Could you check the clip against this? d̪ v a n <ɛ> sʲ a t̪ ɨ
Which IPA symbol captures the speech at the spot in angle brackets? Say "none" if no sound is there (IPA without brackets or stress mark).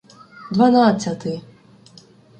a